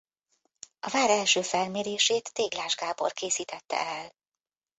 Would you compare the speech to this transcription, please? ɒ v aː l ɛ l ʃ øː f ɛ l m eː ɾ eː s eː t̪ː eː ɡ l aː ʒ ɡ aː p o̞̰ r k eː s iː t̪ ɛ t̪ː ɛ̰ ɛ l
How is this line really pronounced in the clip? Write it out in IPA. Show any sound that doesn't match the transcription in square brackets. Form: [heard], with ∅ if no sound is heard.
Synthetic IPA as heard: ɒ v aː [ɾ] ɛ l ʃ øː f ɛ l m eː ɾ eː [ʃ] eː t̪ː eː ɡ l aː ʒ ɡ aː [b] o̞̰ r k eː s iː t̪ ɛ t̪ː ɛ̰ ɛ l